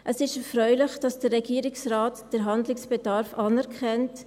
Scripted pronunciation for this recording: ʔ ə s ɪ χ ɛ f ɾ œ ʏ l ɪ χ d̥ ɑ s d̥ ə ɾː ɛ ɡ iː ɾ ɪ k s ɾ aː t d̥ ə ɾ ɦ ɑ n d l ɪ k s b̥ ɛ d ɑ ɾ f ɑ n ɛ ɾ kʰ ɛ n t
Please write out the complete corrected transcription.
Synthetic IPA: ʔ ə s ɪ ʃ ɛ f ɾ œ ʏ l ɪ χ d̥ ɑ s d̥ ə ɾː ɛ ɡ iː ɾ ɪ k s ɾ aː t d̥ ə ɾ ɦ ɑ n d l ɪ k s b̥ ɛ d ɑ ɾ f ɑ n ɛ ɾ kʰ ɛ n t